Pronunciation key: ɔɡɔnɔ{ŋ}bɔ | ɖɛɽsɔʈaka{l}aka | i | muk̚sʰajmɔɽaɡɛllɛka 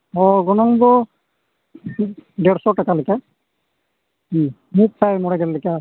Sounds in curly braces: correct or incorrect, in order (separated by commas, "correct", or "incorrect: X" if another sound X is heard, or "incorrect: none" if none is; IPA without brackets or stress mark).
correct, correct